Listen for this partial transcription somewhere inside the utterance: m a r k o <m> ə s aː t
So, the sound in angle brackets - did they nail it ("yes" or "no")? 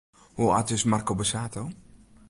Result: no